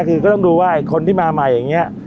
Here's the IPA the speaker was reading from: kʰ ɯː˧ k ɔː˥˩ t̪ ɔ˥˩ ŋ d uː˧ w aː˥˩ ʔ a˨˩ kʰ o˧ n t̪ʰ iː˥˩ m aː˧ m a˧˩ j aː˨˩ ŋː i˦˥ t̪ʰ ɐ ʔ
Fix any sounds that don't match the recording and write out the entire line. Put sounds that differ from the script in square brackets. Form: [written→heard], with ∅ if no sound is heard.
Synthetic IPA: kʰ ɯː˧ k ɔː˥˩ t̪ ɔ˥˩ ŋ d uː˧ w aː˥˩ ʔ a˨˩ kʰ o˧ n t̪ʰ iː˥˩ m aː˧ m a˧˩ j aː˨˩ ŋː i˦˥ [t̪ʰ→∅] ɐ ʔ